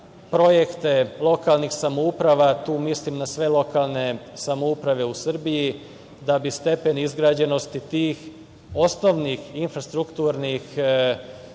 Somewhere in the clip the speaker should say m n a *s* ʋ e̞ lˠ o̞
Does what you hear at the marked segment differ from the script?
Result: no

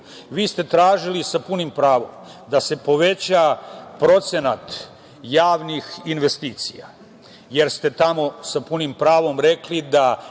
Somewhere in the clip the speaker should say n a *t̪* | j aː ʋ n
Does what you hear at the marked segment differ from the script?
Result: no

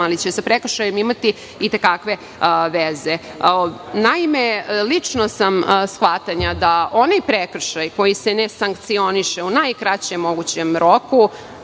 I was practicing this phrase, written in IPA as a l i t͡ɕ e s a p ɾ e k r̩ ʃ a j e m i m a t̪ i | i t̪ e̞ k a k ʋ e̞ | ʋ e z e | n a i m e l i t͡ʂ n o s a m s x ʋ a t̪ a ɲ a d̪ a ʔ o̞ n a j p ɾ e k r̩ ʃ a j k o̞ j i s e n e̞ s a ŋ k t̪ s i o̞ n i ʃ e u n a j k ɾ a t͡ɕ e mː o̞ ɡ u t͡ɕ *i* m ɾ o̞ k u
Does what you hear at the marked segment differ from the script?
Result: yes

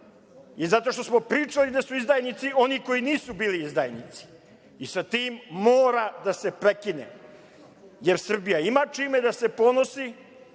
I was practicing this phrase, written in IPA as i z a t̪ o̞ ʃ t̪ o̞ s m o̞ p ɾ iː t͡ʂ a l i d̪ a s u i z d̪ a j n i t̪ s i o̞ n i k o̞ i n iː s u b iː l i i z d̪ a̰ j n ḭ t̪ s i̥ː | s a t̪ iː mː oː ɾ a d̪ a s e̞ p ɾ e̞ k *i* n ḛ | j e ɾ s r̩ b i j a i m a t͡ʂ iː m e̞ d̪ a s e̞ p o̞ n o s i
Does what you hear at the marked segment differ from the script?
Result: no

